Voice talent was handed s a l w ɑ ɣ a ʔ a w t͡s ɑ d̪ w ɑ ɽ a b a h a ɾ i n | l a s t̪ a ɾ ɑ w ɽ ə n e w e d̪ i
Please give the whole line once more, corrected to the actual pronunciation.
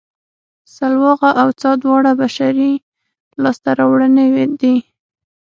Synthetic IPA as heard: s a l w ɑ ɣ a ʔ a w t͡s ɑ d̪ w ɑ ɽ a b a ʃ a ɾ i | l ɑ s t̪ a ɾ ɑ w ɽ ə n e w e d̪ i